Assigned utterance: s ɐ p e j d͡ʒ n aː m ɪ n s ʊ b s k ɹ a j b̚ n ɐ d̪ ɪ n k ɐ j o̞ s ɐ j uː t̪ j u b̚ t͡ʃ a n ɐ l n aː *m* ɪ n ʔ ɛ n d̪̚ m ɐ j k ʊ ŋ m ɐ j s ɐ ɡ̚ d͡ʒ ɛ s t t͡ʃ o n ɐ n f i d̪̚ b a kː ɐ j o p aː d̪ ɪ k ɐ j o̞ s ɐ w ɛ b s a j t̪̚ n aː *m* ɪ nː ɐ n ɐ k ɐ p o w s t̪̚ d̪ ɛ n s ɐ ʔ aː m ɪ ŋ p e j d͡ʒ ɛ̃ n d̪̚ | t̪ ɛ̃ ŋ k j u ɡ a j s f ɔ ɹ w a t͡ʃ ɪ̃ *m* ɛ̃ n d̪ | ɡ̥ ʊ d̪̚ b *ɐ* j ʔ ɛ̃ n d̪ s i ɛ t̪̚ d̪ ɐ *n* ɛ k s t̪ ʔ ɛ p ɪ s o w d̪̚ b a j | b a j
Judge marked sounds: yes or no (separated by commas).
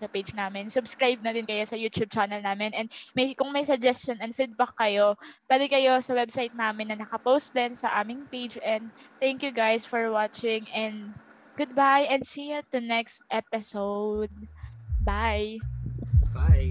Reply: yes, yes, no, no, yes